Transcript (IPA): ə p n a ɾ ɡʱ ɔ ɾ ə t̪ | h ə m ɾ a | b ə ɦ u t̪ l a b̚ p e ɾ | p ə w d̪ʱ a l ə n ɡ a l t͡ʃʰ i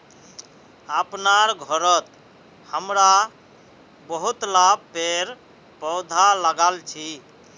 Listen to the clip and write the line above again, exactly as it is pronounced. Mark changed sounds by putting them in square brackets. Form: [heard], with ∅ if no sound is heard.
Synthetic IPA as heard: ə p n a ɾ ɡʱ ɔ ɾ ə t̪ | h ə m ɾ a | b ə ɦ u t̪ l a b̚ p e ɾ | p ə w d̪ʱ a l ə [∅] ɡ a l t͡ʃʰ i